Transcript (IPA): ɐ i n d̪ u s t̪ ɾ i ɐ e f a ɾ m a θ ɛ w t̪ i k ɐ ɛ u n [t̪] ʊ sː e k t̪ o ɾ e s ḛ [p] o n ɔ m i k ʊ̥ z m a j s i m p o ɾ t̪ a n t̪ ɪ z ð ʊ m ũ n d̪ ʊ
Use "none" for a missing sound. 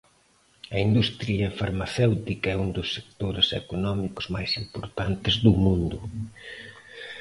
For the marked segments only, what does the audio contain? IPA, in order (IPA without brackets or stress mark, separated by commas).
d̪, k